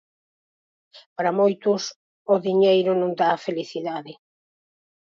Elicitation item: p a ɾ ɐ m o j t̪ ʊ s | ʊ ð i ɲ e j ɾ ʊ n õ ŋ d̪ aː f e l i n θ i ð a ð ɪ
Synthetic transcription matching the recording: p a ɾ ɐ m o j t̪ ʊ s | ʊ ð i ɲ e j ɾ ʊ n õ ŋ d̪ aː f e l i θ i ð a ð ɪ